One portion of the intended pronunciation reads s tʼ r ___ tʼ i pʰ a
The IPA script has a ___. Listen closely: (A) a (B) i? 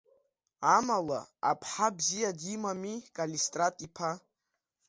A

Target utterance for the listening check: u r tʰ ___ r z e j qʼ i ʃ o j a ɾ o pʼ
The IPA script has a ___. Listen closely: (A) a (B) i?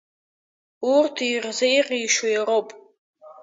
B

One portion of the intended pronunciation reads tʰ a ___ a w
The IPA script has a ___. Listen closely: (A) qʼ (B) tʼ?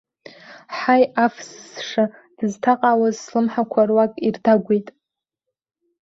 A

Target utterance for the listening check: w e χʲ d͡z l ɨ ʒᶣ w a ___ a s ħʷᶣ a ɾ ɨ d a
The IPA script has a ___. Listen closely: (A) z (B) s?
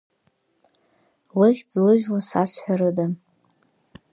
B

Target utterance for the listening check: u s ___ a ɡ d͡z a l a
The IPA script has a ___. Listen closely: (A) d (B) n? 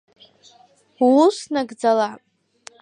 B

